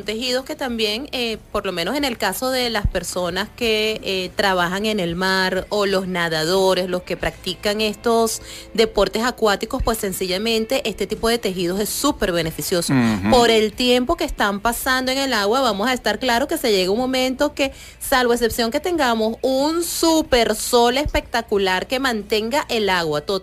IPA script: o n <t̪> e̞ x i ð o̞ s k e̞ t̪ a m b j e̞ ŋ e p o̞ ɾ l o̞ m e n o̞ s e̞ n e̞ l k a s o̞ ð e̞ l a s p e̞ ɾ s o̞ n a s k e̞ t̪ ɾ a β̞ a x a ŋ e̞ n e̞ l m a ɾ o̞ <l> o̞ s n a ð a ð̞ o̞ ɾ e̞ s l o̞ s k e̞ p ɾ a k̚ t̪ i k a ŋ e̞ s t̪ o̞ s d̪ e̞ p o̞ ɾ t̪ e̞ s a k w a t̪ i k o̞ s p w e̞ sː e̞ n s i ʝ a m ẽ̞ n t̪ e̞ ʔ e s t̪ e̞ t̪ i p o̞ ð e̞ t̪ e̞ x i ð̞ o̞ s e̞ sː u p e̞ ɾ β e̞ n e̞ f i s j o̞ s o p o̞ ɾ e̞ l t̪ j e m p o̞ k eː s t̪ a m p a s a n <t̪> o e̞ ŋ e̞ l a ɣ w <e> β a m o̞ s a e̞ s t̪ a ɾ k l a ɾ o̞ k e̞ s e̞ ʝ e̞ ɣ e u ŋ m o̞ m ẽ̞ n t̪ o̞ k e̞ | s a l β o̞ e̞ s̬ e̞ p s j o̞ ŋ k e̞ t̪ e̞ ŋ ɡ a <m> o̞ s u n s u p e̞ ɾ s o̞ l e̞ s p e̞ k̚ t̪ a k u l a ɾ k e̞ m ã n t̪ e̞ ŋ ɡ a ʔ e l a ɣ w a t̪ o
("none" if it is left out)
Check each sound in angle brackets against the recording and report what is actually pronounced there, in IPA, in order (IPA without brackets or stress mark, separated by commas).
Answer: t̪, l, d̪, a, m